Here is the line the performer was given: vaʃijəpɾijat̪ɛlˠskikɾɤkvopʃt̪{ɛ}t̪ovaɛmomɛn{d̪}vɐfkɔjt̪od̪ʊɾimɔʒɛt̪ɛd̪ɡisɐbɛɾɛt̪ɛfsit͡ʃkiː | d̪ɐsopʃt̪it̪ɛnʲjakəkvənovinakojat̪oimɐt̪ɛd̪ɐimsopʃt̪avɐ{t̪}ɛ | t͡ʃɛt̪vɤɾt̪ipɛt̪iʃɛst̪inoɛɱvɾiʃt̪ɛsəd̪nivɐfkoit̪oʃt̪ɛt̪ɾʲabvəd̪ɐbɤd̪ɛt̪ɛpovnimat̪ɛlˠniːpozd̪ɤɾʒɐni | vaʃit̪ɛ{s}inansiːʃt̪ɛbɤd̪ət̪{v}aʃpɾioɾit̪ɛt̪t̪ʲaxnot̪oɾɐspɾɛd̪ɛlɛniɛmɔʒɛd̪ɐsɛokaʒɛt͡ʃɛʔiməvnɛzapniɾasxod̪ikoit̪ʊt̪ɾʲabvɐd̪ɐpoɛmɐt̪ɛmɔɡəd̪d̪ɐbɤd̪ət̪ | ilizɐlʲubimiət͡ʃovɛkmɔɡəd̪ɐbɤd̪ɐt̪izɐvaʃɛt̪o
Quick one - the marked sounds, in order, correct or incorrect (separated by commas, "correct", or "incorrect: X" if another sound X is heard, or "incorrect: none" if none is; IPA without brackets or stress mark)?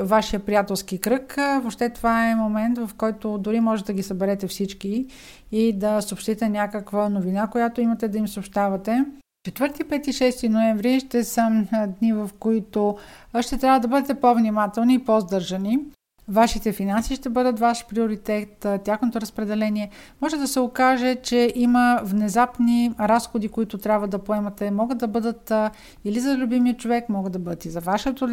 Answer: correct, incorrect: t̪, correct, incorrect: f, correct